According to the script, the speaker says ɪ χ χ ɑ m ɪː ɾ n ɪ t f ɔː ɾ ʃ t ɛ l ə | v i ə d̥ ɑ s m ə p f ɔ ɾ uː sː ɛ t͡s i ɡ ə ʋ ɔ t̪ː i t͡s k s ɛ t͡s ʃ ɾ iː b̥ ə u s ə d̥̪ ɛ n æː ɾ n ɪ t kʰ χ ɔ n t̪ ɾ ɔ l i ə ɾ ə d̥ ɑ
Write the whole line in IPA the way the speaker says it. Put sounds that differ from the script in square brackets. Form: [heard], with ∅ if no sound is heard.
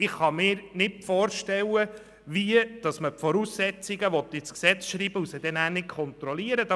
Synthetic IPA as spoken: ɪ χ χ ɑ m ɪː ɾ n ɪ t f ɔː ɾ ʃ t ɛ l ə | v i ə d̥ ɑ s m ə p f ɔ ɾ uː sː ɛ t͡s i ɡ ə ʋ ɔ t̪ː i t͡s k s ɛ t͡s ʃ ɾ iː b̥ ə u s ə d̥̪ ɛ n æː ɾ n ɪ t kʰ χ ɔ n t̪ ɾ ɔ l i ə ɾ ə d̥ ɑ